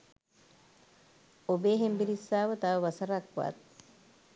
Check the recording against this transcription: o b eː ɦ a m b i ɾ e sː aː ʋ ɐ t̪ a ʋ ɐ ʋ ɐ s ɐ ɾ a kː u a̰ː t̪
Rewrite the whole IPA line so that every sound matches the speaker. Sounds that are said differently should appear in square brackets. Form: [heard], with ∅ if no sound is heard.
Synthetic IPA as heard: o b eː ɦ [e] m b i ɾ [i] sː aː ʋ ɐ t̪ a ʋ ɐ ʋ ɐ s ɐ ɾ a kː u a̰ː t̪